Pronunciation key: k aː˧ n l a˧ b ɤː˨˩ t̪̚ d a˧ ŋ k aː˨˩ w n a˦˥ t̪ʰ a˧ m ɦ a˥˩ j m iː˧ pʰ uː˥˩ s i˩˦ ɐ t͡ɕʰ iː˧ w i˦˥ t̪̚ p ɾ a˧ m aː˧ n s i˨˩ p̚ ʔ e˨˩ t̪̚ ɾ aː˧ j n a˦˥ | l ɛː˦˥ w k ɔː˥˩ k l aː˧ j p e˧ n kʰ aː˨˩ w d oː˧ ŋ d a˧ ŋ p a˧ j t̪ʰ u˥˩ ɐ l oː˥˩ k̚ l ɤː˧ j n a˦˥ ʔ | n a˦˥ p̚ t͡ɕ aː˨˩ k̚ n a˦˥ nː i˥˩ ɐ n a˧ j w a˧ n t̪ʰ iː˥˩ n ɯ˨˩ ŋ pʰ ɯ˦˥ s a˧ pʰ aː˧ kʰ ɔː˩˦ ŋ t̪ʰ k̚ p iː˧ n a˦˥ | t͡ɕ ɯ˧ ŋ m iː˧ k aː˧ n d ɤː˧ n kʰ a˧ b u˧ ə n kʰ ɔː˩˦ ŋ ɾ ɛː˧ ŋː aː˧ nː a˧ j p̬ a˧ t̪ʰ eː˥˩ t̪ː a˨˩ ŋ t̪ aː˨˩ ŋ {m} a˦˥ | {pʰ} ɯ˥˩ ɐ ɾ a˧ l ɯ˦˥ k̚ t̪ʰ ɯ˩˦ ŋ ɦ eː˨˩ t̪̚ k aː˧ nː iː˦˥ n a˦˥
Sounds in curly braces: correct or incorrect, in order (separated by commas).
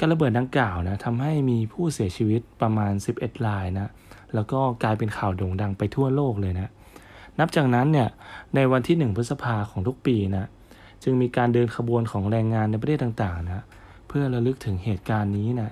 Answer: incorrect, correct